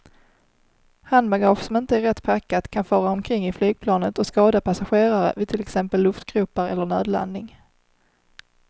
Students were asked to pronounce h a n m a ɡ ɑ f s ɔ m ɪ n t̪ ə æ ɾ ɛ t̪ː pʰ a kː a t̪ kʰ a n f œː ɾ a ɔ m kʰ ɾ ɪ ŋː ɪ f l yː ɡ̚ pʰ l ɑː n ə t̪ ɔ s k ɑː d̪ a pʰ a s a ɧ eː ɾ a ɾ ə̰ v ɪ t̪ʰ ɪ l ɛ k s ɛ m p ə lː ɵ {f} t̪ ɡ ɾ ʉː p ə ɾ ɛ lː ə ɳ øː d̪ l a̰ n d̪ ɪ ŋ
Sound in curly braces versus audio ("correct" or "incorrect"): correct